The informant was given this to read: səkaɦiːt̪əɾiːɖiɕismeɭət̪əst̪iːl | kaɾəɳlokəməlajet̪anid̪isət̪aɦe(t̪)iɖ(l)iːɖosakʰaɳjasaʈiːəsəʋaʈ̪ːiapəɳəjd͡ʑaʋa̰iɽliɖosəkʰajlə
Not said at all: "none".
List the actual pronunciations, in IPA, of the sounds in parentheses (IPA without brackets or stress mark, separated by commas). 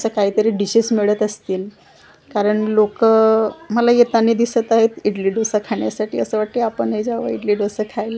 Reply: t̪, l